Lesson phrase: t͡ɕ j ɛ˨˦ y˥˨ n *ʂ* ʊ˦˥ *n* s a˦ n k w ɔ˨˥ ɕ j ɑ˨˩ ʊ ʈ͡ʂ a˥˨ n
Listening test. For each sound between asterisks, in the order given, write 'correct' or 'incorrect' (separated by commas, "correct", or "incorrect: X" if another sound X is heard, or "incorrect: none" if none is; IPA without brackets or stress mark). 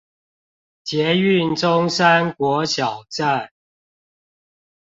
incorrect: ʈ͡ʂ, incorrect: ŋ